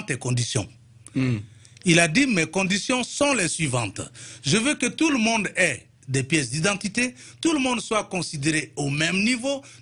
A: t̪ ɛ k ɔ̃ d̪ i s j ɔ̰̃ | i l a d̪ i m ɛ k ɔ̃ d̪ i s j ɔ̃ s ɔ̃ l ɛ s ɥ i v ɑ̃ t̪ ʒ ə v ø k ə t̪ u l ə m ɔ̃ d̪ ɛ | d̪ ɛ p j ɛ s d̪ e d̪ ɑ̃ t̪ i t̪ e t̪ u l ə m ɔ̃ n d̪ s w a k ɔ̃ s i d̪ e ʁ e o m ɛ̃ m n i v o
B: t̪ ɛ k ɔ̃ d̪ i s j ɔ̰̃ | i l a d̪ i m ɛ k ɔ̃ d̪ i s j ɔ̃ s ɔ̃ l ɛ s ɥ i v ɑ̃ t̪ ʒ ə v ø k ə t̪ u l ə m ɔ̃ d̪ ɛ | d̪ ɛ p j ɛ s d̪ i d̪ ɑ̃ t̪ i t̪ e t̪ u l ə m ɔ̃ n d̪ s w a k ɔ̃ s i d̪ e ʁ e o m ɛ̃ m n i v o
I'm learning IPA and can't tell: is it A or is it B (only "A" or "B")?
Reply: B